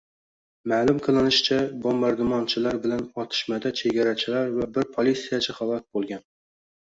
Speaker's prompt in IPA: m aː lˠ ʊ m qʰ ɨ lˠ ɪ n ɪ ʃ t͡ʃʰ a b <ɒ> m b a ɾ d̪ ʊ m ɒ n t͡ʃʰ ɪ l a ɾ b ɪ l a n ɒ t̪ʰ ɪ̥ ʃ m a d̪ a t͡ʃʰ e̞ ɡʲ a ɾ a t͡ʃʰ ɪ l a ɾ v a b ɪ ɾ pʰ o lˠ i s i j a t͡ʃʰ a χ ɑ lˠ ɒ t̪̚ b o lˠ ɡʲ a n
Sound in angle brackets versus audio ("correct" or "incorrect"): incorrect